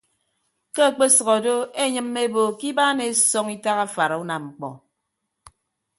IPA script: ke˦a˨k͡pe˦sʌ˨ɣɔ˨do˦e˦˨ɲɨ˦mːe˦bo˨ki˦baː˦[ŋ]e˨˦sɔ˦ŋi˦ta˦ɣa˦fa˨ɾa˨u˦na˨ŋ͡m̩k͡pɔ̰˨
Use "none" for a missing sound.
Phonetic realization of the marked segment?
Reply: n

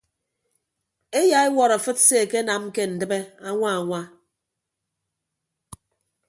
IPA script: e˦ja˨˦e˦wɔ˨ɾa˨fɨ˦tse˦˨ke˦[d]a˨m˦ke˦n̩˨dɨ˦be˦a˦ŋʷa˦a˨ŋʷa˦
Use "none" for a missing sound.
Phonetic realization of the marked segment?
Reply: n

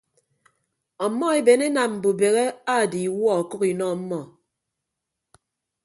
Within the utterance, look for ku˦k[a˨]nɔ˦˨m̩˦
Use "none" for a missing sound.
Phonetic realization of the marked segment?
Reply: i˨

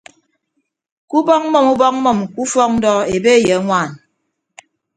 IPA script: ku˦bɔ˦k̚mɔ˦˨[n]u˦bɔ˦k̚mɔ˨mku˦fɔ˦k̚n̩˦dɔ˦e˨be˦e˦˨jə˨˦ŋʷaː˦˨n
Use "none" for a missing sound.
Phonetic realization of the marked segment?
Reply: m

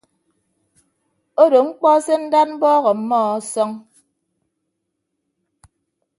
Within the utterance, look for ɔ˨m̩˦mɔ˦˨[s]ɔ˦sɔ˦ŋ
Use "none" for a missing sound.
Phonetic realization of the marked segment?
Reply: none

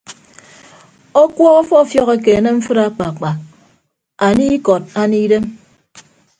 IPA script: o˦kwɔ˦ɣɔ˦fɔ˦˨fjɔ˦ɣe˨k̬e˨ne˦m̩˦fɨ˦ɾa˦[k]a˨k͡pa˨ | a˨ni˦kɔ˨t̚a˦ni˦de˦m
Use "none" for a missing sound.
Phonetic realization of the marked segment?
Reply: k͡p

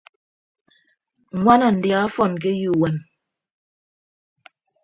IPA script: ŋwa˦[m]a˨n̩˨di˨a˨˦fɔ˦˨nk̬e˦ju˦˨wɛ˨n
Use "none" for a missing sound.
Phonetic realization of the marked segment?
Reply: n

